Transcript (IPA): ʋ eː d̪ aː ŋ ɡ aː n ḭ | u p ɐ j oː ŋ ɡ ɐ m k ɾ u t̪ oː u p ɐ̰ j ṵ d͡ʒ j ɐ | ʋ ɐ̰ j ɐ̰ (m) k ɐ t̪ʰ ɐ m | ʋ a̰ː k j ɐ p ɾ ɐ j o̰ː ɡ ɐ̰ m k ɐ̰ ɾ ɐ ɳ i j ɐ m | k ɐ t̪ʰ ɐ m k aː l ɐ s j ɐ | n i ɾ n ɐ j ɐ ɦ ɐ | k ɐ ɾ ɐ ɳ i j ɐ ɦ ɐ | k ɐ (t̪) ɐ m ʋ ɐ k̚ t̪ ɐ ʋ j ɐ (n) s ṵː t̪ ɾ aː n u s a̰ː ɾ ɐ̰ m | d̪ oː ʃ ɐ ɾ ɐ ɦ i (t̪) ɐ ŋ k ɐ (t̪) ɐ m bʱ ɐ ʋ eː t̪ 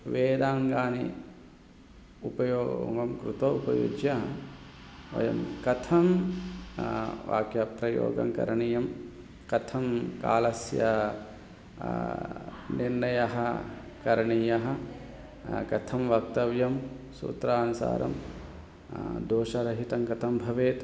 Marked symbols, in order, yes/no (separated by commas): yes, no, no, yes, no